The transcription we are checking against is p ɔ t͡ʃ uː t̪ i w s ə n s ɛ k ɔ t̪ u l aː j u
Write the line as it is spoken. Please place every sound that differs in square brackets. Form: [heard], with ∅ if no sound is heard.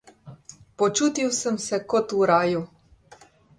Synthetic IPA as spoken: p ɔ t͡ʃ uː t̪ i w s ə [m] s ɛ k ɔ t̪ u [ɾ] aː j u